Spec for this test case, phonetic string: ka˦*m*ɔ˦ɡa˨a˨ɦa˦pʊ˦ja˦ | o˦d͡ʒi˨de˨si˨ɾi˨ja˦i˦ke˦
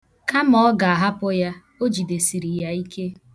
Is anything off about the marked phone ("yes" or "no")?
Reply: no